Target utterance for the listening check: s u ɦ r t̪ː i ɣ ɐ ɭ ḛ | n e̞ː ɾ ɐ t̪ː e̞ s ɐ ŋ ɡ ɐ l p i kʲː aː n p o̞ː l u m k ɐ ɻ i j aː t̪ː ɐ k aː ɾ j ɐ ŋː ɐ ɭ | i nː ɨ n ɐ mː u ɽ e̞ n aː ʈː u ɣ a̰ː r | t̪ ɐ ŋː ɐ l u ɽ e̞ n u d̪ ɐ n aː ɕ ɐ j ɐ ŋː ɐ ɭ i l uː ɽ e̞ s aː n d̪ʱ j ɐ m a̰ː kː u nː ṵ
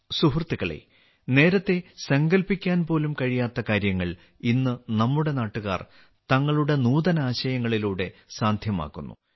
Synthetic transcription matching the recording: s u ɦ r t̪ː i ɣ ɐ ɭ ḛ | n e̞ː ɾ ɐ t̪ː e̞ s ɐ ŋ ɡ ɐ l p i kʲː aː n p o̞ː l u m k ɐ ɻ i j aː t̪ː ɐ k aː ɾ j ɐ ŋː ɐ ɭ | i nː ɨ n ɐ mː u ɽ e̞ n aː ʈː u ɣ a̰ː r | t̪ ɐ ŋː ɐ ɭ u ɽ e̞ n uː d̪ ɐ n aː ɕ ɐ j ɐ ŋː ɐ ɭ i l uː ɽ e̞ s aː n d̪ʱ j ɐ m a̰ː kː u nː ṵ